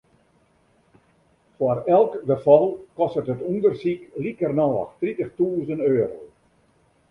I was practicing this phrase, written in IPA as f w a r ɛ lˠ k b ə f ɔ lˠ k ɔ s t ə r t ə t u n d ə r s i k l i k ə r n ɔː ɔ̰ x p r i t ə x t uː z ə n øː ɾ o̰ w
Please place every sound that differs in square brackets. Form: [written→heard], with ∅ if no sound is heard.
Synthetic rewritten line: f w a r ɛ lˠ k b ə f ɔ lˠ k ɔ s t ə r t ə t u n d ə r s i k l i k ə r n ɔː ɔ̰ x [p→t] r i t ə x t uː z ə n øː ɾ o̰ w